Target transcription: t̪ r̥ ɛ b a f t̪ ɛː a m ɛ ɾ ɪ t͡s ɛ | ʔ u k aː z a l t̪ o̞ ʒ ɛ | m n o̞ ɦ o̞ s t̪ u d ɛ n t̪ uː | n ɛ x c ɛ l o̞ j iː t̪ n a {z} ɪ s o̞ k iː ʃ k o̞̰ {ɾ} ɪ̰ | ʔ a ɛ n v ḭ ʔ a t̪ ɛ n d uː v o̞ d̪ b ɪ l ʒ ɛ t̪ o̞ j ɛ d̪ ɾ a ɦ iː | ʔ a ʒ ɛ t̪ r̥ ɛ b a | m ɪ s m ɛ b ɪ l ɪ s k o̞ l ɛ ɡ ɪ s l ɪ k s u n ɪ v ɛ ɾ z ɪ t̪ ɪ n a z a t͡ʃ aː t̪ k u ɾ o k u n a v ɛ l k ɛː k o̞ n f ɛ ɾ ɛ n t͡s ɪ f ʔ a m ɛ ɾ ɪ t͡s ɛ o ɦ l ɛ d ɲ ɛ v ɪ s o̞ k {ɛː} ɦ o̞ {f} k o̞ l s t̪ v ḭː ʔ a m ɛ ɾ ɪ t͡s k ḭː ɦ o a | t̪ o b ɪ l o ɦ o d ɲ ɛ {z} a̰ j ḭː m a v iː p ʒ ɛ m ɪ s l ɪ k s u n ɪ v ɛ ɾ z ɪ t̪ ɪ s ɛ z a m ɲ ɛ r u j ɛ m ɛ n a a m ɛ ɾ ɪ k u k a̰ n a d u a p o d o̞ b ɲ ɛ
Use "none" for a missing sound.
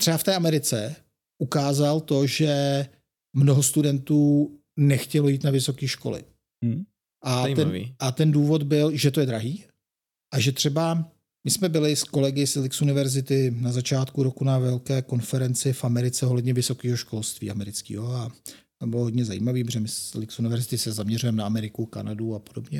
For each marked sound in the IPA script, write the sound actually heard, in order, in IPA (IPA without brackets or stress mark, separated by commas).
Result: v, l, iː, ʃ, z